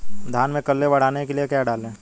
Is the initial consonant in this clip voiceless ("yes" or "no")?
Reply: no